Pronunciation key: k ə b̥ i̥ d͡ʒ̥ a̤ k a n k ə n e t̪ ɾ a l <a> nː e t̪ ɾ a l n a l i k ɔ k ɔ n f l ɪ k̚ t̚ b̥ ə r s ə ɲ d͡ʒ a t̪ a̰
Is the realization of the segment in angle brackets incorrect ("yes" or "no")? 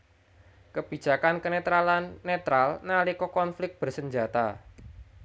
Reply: no